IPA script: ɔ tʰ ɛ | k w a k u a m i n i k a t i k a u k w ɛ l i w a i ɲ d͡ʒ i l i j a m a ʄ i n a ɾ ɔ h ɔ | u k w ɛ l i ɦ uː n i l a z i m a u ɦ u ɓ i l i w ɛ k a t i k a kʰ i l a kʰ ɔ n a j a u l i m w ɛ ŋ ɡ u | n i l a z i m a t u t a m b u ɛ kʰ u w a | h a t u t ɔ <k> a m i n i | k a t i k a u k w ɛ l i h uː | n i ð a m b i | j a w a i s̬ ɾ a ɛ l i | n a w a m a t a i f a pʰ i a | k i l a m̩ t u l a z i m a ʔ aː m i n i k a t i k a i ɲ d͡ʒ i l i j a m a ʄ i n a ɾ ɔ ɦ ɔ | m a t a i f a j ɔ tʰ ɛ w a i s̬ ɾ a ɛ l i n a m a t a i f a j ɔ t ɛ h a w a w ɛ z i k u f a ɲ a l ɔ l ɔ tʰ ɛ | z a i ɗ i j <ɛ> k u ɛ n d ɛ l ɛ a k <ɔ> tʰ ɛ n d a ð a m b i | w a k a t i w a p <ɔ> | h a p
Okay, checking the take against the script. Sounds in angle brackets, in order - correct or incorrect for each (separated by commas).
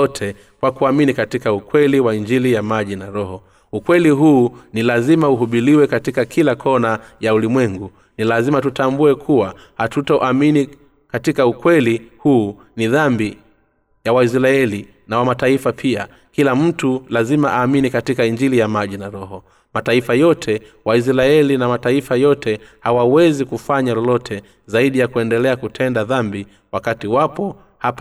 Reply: incorrect, incorrect, incorrect, correct